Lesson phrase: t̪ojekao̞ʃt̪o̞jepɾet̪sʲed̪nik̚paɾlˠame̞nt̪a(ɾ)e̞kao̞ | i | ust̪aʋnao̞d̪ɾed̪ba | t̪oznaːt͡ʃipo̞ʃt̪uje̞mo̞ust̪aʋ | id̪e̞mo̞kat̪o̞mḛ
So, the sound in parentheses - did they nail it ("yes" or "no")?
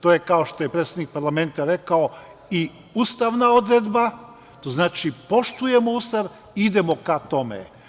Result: yes